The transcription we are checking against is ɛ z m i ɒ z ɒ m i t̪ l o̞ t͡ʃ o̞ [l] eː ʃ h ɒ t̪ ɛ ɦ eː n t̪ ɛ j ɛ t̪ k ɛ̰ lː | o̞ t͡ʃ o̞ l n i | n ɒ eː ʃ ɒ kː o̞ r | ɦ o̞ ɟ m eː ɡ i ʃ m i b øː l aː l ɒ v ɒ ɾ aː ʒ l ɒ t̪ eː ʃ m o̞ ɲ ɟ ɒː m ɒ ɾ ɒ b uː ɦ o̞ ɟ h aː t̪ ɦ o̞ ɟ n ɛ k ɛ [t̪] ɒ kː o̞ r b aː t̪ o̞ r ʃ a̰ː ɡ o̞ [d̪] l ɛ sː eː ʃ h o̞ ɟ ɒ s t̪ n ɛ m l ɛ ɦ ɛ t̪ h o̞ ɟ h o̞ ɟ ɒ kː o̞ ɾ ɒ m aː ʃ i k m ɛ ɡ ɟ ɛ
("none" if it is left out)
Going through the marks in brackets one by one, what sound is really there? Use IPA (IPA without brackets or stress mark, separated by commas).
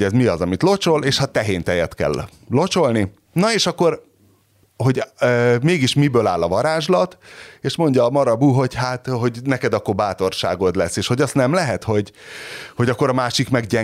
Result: l, d̪, d̪